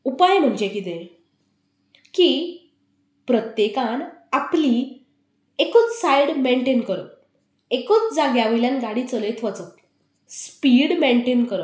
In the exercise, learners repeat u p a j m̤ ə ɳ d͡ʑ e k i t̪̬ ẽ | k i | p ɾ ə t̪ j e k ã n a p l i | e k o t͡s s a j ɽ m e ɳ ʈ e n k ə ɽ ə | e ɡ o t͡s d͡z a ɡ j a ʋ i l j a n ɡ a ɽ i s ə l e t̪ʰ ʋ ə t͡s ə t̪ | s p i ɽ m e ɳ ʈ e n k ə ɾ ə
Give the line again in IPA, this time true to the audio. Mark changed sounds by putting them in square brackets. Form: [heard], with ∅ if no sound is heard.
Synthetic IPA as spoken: u p a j m̤ ə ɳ d͡ʑ e k i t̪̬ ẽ | k i | p ɾ ə t̪ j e k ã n a p l i | e k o t͡s s a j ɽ m e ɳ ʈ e n k ə [ɾ] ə | e [k] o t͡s d͡z a ɡ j a ʋ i l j a n ɡ a ɽ i [t͡s] ə l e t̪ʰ ʋ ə t͡s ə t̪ | s p i ɽ m e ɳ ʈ e n k ə ɾ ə

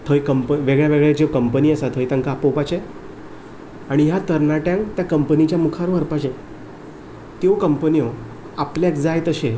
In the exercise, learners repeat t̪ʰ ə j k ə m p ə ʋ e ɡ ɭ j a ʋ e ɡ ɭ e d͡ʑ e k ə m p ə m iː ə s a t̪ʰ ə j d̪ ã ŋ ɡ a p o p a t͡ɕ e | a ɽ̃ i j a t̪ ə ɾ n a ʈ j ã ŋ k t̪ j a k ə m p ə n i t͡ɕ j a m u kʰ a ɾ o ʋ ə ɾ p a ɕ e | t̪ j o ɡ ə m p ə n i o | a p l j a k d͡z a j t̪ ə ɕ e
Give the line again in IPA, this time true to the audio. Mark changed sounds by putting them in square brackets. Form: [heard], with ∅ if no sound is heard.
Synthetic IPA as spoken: t̪ʰ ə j k ə m p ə ʋ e ɡ ɭ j a ʋ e ɡ ɭ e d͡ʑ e k ə m p ə [n] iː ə s a t̪ʰ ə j [t̪] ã ŋ [k] a p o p a t͡ɕ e | a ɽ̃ i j a t̪ ə ɾ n a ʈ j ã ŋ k t̪ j a k ə m p ə n i t͡ɕ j a m u kʰ a ɾ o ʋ ə ɾ p a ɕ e | t̪ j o [k] ə m p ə n i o | a p l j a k d͡z a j t̪ ə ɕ e

